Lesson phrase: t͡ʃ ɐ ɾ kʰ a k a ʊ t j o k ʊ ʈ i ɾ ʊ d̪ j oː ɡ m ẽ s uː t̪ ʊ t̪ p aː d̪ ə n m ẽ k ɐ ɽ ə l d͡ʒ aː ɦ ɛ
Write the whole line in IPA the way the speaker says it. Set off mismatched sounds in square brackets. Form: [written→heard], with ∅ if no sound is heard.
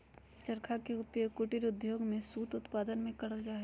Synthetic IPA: t͡ʃ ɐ ɾ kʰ a k [a→e] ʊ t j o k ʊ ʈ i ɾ ʊ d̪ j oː ɡ m ẽ s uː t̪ ʊ t̪ p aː d̪ ə n m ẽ k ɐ ɽ ə l d͡ʒ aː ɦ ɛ